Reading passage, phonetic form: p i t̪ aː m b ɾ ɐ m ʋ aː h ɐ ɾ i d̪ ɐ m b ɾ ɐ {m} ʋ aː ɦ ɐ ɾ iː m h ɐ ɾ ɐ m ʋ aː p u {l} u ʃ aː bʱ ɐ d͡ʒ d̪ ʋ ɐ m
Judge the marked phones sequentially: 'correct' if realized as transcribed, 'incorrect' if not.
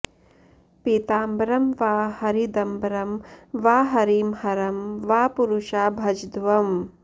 correct, incorrect

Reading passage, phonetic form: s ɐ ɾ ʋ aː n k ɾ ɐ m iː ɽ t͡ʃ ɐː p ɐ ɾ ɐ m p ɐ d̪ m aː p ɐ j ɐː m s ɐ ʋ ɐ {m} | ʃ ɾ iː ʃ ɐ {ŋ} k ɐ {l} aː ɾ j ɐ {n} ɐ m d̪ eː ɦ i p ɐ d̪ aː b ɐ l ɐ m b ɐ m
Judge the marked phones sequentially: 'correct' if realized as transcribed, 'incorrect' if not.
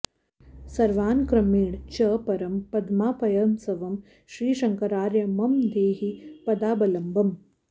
correct, correct, incorrect, incorrect

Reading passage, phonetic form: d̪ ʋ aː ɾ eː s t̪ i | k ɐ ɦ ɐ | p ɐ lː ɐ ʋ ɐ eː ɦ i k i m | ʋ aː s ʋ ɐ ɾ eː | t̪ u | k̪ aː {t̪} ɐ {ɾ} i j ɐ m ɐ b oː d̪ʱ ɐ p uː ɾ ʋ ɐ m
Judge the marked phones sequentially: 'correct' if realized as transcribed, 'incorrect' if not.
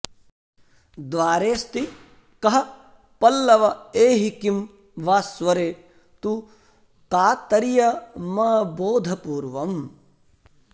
correct, correct

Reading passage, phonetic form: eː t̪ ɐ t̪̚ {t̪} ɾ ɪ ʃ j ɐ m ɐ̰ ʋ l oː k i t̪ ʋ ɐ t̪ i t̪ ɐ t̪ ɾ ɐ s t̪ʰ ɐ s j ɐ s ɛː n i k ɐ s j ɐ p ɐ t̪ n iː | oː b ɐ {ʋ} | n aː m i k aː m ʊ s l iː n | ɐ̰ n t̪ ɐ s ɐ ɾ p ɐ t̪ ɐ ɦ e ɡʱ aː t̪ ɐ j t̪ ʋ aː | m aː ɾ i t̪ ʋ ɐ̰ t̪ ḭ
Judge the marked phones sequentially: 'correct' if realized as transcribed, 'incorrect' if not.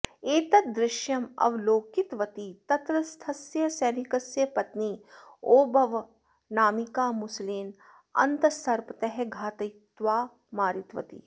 incorrect, correct

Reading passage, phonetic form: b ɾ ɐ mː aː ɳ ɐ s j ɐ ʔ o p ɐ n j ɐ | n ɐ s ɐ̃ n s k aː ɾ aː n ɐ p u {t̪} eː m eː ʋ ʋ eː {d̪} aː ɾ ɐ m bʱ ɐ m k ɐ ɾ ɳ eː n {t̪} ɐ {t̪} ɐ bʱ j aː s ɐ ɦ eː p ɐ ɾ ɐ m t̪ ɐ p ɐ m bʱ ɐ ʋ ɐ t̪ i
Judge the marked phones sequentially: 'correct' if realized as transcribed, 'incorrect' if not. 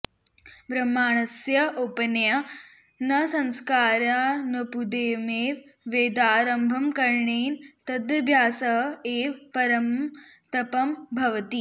incorrect, correct, correct, incorrect

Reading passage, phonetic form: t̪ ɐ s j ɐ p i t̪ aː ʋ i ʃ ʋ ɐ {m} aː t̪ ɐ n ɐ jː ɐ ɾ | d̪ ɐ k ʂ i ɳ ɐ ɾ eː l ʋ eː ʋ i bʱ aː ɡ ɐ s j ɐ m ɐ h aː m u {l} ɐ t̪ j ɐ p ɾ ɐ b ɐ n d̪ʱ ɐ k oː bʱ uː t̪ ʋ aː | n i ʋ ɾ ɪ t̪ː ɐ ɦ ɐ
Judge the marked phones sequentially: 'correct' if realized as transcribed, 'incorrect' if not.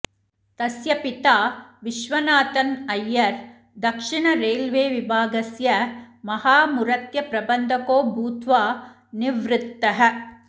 incorrect, incorrect

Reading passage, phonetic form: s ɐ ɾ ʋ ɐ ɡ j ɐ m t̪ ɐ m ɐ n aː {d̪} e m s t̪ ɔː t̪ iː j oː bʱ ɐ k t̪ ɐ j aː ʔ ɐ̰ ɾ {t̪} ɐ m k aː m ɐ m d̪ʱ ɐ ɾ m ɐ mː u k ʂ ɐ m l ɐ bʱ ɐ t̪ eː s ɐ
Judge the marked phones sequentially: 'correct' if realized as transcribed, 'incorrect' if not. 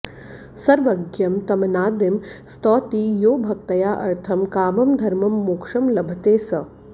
correct, incorrect

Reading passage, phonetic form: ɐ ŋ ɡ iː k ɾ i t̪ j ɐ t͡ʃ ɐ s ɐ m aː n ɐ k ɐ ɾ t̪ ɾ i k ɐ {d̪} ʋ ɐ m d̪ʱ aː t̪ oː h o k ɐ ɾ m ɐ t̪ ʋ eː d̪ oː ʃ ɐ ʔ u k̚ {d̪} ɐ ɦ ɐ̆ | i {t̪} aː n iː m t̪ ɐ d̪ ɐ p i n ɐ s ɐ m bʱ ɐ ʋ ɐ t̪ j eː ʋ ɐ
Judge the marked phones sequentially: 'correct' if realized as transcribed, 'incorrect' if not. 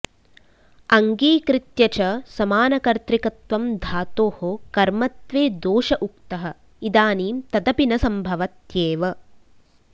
incorrect, incorrect, incorrect

